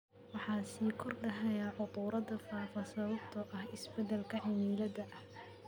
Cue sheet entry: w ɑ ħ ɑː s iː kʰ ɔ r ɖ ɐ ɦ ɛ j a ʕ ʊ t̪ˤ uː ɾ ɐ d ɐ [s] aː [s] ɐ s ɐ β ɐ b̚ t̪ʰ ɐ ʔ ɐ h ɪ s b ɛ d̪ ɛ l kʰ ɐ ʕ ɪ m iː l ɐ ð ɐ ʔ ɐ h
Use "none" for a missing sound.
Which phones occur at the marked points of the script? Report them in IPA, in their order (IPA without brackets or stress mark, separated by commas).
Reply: f, f